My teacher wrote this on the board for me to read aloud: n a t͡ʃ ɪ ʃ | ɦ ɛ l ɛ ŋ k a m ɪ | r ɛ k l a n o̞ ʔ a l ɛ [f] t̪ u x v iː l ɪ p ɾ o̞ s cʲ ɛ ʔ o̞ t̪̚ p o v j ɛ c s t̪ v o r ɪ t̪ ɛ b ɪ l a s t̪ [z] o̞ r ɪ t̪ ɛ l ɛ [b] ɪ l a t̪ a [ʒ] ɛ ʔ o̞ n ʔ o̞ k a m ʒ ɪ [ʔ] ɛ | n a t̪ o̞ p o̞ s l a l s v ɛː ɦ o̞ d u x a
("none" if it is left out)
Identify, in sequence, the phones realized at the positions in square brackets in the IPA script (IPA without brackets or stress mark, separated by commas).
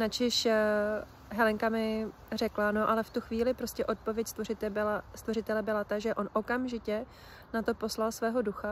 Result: f, v, b, ʒ, c